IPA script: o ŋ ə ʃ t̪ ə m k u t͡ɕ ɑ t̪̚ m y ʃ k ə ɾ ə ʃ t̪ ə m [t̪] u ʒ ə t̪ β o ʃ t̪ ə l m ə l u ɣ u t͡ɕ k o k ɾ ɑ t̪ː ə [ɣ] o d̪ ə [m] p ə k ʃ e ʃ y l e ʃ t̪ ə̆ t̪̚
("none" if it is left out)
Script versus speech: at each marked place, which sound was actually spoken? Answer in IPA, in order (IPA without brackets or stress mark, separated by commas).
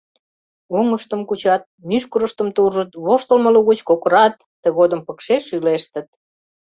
t̪, ɣ, m